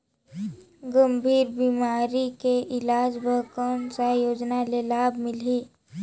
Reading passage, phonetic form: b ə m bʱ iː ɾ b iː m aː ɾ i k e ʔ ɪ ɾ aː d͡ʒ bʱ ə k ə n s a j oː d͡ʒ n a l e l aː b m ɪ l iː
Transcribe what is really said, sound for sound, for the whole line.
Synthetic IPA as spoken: ɡ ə m bʱ iː ɾ b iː m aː ɾ i k e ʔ ɪ l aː d͡ʒ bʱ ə k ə n s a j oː d͡ʒ n a l e l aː b m ɪ l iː